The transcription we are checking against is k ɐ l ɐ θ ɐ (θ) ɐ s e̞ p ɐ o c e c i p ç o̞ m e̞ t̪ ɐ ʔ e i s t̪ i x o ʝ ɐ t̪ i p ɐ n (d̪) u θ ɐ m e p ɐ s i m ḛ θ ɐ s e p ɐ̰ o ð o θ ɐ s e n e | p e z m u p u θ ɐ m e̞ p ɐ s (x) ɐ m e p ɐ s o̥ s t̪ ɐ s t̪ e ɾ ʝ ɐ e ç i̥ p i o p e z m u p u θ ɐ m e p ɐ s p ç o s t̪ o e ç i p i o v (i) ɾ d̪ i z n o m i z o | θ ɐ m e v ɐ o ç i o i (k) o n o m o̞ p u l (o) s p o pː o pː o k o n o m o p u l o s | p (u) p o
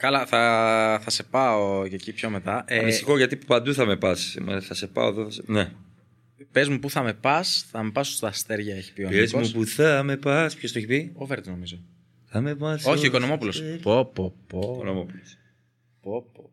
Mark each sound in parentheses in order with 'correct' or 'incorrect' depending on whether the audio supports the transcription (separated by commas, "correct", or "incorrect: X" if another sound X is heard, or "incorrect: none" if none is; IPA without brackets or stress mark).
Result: correct, correct, incorrect: θ, incorrect: e, correct, correct, incorrect: o